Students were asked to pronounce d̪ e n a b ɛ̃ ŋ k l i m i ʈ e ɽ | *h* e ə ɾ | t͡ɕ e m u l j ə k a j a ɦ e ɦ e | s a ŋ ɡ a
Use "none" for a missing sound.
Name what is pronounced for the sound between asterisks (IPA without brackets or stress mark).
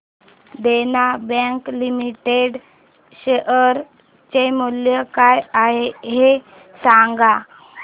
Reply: ɕ